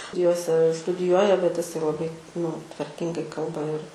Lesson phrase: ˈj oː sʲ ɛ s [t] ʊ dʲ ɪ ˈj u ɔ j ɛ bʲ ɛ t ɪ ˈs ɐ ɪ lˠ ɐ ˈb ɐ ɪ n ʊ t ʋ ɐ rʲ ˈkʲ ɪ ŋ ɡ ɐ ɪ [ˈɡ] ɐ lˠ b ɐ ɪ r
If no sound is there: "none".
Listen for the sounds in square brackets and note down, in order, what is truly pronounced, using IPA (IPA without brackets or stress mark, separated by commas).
t, k